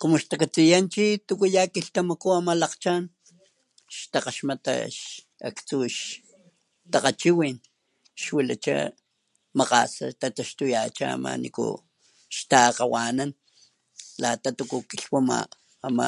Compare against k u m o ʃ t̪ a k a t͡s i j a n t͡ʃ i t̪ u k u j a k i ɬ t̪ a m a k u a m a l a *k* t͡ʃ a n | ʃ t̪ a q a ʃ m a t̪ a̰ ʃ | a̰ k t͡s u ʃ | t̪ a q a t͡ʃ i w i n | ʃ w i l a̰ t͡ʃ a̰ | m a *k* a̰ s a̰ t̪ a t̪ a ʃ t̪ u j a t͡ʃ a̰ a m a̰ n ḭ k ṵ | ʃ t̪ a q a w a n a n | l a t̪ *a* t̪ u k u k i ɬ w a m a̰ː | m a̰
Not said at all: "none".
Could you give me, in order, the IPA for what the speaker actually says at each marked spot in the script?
q, q, a

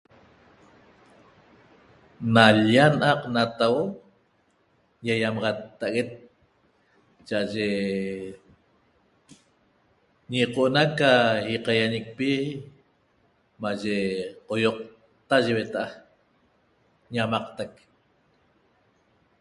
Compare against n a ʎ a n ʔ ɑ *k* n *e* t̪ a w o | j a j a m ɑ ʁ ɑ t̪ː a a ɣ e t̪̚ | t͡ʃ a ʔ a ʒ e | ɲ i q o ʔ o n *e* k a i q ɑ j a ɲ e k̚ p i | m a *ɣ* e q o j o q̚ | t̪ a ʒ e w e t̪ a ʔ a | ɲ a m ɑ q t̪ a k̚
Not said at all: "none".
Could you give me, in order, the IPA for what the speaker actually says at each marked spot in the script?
q, a, a, ʒ

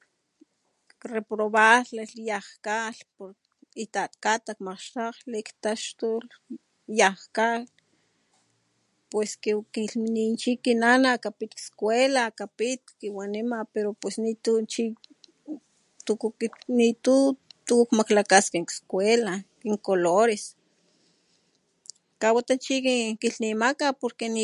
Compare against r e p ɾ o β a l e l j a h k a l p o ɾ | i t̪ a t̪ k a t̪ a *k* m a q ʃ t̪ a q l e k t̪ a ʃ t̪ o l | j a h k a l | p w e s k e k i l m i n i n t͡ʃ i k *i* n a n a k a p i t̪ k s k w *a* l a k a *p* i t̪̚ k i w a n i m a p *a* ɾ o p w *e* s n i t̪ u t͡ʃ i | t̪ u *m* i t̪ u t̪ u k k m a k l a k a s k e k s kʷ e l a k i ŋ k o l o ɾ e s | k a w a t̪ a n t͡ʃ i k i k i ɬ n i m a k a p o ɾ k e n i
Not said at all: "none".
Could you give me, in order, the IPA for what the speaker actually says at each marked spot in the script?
k, i, e, p, e, e, n

